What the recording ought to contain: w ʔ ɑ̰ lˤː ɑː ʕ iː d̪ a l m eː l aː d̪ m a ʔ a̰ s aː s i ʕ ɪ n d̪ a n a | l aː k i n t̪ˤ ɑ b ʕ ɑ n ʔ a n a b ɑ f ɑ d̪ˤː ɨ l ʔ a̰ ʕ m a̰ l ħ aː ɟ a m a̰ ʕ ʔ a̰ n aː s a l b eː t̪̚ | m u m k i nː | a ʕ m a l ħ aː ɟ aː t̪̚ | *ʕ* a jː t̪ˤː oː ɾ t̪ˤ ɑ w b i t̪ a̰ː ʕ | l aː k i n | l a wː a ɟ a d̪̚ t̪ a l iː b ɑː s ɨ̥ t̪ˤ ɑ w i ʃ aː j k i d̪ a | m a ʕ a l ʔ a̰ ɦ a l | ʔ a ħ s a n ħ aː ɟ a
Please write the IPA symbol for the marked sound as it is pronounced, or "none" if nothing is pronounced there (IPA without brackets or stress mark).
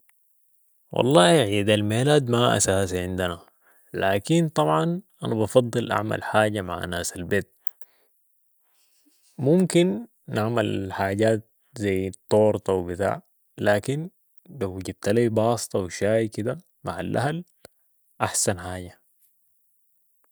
z